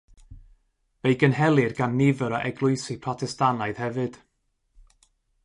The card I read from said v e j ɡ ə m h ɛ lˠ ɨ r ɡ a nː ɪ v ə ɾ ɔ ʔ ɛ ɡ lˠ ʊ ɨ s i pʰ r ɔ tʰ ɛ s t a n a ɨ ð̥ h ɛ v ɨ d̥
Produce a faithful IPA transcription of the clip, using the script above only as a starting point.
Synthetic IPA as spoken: v e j ɡ ə n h ɛ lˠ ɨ r ɡ a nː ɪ v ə ɾ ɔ ʔ ɛ ɡ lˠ ʊ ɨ s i pʰ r ɔ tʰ ɛ s t a n a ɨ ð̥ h ɛ v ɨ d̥